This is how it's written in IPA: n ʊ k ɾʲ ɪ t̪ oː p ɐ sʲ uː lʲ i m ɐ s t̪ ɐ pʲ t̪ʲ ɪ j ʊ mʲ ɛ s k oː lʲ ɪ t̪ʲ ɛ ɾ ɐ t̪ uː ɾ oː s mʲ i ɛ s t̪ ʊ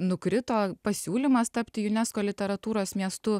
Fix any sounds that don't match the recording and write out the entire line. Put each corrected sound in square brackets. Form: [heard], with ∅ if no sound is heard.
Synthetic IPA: n ʊ k ɾʲ ɪ t̪ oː p ɐ sʲ uː lʲ i m ɐ s t̪ ɐ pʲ t̪ʲ ɪ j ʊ [nʲ] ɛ s k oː lʲ ɪ t̪ʲ ɛ ɾ ɐ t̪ uː ɾ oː s mʲ i ɛ s t̪ ʊ